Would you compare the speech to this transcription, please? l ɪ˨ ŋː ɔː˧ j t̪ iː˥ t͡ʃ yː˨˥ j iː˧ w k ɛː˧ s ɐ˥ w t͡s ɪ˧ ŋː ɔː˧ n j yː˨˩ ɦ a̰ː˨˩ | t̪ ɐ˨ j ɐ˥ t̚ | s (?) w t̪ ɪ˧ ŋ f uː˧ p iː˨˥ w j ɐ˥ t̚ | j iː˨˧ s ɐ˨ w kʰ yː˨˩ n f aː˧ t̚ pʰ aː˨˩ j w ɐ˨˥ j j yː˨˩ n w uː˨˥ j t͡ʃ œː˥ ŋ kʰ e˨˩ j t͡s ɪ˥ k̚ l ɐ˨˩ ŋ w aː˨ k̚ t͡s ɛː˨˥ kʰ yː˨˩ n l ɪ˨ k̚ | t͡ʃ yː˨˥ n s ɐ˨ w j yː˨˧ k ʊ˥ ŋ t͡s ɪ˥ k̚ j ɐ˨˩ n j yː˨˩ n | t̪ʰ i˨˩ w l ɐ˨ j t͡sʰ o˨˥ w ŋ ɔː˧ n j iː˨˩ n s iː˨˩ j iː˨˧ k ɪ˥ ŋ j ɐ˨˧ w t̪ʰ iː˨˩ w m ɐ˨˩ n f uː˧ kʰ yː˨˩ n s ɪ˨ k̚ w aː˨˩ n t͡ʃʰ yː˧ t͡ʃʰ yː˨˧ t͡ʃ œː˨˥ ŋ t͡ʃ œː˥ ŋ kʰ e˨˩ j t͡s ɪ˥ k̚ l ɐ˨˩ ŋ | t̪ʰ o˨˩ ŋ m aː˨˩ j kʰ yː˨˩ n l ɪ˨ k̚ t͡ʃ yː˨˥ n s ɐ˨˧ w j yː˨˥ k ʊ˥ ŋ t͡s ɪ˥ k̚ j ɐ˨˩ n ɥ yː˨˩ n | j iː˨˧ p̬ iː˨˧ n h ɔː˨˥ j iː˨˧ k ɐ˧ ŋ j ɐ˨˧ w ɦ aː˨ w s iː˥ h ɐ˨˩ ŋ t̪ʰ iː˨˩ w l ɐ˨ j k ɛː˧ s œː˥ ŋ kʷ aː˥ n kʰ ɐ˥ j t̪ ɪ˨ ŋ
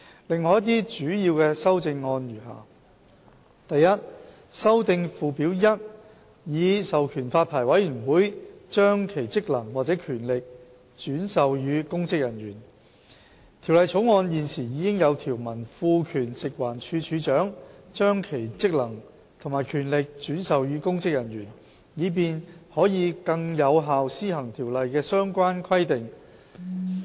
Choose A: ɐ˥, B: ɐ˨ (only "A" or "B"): A